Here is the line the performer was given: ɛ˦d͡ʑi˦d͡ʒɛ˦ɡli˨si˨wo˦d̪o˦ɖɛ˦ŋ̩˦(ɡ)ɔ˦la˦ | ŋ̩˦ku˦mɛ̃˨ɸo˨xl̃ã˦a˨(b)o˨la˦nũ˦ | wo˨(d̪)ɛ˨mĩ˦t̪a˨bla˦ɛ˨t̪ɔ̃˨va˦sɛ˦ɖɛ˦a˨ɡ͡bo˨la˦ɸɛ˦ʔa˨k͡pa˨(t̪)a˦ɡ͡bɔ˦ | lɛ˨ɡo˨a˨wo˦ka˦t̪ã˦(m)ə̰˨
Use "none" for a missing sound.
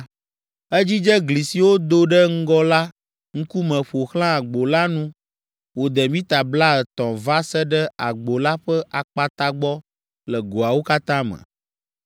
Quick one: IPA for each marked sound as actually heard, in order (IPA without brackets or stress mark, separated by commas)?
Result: ɡ, ɡ͡b, d̪, t̪, m